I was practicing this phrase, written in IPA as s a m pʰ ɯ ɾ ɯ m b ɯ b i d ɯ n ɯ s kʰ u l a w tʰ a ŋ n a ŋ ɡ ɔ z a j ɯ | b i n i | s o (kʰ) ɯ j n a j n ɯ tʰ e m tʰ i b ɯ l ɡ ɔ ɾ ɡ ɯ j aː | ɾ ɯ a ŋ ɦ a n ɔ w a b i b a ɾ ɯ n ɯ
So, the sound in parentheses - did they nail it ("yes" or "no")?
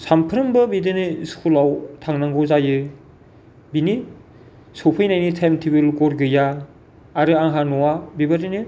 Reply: no